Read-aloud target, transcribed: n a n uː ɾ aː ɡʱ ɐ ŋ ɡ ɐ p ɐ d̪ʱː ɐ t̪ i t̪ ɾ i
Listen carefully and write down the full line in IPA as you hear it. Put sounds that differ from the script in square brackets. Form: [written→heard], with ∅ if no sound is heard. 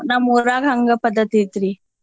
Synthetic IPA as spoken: n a [n→m] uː ɾ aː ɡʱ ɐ ŋ ɡ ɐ p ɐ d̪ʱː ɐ t̪ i t̪ ɾ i